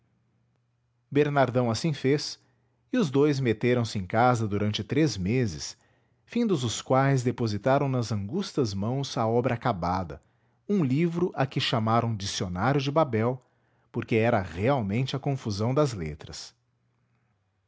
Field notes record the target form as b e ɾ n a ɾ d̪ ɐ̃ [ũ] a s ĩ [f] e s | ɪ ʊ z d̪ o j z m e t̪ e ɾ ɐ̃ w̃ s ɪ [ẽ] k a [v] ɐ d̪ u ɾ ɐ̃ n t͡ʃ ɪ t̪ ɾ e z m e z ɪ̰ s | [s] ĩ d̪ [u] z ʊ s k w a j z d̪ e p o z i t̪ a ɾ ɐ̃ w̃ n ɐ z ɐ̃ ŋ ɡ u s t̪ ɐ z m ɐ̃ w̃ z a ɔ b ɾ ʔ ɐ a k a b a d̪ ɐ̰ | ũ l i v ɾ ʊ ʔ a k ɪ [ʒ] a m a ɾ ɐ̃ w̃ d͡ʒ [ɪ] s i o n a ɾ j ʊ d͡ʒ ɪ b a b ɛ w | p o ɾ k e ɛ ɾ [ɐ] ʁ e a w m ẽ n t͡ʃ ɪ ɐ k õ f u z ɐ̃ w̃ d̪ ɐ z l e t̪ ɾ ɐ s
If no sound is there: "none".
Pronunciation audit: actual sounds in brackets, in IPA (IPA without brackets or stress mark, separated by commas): w̃, f, ẽ, z, f, ʊ, ʃ, i, ɐ